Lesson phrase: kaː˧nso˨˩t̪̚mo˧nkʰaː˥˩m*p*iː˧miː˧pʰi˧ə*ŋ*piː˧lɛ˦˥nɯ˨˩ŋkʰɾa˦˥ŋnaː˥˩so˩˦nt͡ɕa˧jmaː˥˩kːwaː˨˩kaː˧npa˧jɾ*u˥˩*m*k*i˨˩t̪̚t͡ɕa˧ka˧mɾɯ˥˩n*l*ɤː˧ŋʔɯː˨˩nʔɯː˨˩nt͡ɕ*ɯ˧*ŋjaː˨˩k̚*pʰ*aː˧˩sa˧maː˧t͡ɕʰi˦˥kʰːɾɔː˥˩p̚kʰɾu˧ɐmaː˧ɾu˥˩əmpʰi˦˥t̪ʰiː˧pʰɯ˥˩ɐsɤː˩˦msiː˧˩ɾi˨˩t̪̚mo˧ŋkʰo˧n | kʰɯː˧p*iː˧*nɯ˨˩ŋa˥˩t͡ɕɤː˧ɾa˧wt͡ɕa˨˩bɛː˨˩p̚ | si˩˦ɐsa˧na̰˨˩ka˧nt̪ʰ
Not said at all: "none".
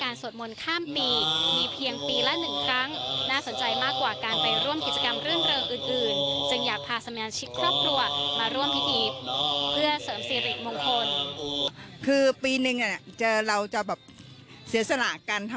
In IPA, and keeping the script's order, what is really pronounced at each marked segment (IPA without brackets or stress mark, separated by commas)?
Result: p, ŋ, u˥˩, k, ɾ, ɯ˧, pʰ, iː˧